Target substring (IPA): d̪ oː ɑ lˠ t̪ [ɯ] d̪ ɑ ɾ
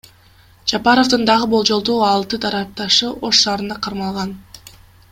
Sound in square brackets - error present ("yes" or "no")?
no